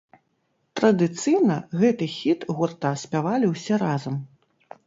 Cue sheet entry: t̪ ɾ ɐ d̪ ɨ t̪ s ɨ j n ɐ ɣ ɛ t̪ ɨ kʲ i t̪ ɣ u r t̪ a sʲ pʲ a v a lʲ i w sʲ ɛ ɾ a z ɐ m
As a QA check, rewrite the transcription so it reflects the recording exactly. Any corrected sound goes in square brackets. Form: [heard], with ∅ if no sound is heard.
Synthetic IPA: t̪ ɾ ɐ d̪ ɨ t̪ s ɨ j n ɐ ɣ ɛ t̪ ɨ [xʲ] i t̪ ɣ u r t̪ a sʲ pʲ a v a lʲ i w sʲ ɛ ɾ a z ɐ m